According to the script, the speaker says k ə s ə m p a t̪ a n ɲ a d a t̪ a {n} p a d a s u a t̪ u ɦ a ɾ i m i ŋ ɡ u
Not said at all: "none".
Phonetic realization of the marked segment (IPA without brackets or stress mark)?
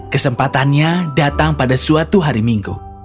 ŋ